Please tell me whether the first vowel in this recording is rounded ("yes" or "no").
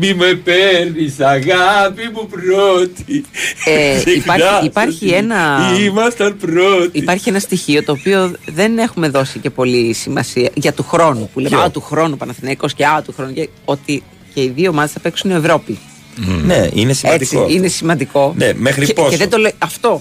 no